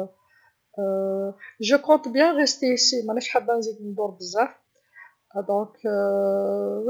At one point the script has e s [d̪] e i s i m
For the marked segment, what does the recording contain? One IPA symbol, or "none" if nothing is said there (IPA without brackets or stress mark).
t̪